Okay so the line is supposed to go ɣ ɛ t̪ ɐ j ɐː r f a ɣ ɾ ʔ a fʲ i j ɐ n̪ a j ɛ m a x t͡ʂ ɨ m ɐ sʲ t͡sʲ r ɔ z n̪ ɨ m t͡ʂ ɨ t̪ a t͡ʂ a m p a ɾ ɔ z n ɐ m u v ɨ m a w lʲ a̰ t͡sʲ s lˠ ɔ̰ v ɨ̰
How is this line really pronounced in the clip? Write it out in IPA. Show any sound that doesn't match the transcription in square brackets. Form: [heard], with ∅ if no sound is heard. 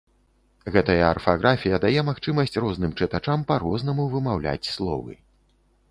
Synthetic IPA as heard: ɣ ɛ t̪ ɐ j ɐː r f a ɣ ɾ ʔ a fʲ i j ɐ [d̪] a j ɛ m a x t͡ʂ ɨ m ɐ sʲ t͡sʲ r ɔ z n̪ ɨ m t͡ʂ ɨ t̪ a t͡ʂ a m p a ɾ ɔ z n ɐ m u v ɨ m a w lʲ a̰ t͡sʲ s lˠ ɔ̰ v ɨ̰